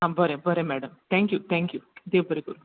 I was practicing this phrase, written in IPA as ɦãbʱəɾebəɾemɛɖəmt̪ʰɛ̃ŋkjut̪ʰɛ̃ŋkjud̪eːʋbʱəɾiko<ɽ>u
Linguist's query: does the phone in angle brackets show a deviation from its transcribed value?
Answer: yes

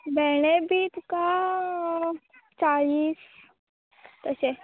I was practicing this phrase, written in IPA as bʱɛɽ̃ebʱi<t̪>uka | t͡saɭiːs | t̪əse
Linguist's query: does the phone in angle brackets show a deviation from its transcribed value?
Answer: no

